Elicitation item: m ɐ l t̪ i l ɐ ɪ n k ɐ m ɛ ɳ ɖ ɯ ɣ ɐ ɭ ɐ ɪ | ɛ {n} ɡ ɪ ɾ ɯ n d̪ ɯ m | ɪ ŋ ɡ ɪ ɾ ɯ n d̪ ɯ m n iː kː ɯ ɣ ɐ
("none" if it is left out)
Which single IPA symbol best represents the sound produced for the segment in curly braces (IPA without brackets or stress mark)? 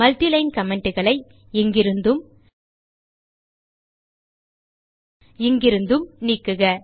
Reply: ŋ